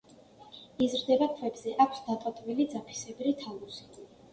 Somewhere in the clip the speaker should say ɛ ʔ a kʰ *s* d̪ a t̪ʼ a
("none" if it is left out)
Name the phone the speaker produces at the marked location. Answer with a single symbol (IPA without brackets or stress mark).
s